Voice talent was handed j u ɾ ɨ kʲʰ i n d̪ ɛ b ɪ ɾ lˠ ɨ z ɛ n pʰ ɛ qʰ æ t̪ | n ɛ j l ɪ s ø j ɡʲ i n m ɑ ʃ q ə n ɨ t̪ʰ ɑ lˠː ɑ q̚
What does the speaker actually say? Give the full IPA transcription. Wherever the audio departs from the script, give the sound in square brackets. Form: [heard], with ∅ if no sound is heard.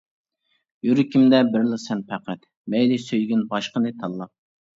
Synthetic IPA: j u ɾ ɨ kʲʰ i [m] d̪ ɛ b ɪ ɾ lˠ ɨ [s] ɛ n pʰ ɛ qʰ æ t̪ | [m] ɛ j l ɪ s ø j ɡʲ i n [b] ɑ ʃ q ə n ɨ t̪ʰ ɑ lˠː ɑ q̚

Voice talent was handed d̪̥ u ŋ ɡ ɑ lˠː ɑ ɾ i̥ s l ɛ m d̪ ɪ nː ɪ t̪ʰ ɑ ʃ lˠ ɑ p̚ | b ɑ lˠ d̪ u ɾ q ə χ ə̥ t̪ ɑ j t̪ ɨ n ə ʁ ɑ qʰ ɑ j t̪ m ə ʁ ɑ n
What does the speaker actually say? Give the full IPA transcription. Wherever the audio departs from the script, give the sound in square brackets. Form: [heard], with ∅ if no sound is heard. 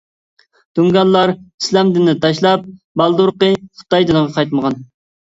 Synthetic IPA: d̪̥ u ŋ ɡ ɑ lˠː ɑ ɾ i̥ s l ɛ m d̪ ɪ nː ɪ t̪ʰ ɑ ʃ lˠ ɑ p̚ | b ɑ lˠ d̪ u ɾ q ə χ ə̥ t̪ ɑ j [d̪] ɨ n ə ʁ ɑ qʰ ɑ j t̪ m ə ʁ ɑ n

